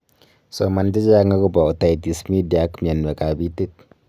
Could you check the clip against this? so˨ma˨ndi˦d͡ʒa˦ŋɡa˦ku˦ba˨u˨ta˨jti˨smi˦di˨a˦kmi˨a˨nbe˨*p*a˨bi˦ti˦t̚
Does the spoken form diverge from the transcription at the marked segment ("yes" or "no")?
yes